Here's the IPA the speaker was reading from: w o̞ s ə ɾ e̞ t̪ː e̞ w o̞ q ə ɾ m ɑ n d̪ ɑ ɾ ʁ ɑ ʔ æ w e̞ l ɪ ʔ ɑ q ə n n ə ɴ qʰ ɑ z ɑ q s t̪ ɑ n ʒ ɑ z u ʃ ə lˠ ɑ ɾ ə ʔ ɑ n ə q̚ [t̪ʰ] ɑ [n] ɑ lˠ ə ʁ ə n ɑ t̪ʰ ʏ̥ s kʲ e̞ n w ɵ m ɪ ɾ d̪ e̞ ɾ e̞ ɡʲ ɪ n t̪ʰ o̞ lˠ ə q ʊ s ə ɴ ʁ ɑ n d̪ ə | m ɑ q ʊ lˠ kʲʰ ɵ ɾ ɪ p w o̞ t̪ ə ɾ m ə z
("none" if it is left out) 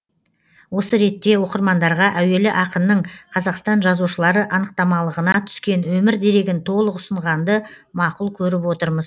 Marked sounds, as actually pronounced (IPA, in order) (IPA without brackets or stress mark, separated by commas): t̪, m